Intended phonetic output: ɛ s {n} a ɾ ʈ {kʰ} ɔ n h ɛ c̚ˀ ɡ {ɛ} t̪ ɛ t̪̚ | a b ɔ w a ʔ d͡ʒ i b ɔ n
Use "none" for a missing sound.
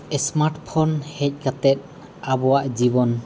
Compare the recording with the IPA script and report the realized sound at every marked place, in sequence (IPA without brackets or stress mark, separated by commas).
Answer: m, pʰ, a